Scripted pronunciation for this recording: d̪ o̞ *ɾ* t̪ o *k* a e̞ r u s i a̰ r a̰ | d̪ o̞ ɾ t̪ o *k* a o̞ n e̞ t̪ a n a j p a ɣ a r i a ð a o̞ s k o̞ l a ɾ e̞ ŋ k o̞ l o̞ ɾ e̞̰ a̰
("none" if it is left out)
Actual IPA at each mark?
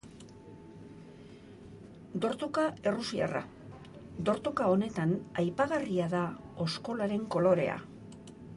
ɾ, k, k

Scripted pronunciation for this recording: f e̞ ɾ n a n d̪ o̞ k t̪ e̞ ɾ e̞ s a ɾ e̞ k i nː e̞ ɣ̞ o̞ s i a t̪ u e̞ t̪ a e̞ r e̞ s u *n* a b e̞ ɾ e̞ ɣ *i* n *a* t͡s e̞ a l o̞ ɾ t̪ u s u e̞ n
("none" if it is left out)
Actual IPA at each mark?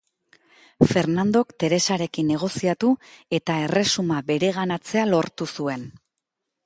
m, a, a

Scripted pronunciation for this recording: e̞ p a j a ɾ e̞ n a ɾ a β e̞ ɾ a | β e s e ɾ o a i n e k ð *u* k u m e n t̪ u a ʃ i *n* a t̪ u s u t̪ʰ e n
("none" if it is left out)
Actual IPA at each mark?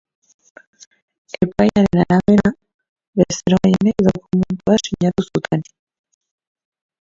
o, ɲ

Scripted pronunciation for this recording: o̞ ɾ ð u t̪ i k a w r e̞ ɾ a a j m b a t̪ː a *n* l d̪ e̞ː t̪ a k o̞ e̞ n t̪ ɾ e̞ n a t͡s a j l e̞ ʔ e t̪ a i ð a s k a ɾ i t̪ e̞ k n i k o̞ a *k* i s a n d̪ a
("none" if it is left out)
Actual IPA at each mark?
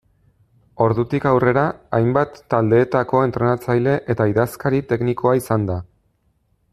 none, none

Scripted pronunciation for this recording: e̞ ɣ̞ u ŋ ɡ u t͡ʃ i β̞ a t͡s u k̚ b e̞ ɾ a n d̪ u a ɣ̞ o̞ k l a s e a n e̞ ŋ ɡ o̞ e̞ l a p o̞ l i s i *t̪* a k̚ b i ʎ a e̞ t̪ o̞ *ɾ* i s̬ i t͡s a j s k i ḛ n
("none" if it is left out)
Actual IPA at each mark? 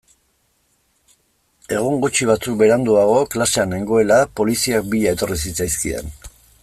none, r

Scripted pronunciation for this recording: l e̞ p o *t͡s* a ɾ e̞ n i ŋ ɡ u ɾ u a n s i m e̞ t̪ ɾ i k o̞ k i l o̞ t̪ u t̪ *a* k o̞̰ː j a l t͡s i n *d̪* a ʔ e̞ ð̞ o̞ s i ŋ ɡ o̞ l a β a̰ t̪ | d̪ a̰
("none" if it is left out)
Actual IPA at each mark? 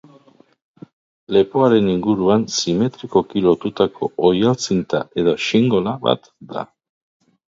none, a, t̪

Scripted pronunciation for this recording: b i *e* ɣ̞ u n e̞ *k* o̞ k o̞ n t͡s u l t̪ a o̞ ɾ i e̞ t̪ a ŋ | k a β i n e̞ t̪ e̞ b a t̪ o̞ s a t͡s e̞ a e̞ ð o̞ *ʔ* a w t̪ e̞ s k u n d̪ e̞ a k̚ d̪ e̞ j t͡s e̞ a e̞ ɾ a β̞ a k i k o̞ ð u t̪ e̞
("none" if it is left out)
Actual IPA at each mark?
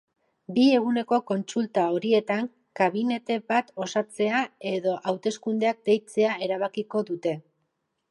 e, k, ʔ

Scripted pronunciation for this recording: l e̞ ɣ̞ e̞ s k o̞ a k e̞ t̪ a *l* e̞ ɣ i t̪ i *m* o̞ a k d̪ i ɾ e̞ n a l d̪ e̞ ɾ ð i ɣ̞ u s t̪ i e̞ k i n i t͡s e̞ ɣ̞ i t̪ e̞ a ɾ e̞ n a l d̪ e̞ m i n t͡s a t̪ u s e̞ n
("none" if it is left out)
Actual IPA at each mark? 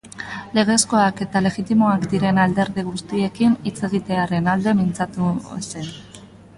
l, m

